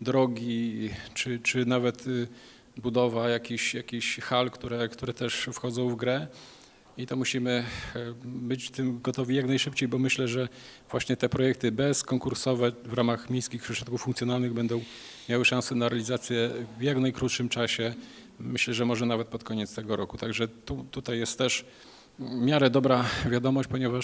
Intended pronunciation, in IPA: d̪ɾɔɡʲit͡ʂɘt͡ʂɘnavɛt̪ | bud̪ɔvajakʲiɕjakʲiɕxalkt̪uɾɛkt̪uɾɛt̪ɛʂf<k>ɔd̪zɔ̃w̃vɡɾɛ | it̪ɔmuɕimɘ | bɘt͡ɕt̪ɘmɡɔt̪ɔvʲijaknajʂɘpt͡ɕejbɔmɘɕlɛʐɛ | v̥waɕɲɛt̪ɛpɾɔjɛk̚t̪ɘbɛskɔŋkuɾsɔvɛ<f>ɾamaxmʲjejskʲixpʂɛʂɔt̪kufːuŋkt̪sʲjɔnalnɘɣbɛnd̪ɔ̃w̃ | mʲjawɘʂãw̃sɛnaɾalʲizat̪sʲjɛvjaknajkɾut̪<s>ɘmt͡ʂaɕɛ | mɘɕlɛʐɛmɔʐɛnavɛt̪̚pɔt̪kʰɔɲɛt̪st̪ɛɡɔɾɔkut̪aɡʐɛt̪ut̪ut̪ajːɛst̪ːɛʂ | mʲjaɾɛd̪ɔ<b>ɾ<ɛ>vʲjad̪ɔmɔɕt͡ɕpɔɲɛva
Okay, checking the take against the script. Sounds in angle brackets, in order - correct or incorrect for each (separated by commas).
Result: incorrect, incorrect, incorrect, correct, incorrect